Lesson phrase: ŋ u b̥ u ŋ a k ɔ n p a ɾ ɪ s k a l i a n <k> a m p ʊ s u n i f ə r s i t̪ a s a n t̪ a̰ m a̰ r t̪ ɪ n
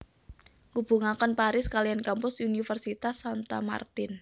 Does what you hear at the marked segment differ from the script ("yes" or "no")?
no